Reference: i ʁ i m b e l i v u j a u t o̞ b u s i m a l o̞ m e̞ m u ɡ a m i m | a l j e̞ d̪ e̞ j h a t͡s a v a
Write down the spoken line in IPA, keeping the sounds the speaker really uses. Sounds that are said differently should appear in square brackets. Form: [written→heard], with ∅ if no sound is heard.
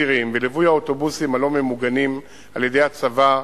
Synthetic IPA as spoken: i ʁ i m [b→v] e l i v u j a [u→o] t o̞ b u s i m a l o̞ m e̞ m u ɡ a [m→n] i m | a l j e̞ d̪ e̞ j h a t͡s a v a